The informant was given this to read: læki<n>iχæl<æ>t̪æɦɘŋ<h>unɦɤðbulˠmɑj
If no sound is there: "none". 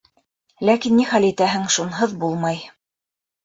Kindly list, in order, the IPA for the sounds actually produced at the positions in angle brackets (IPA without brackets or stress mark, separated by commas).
nː, i, ʃ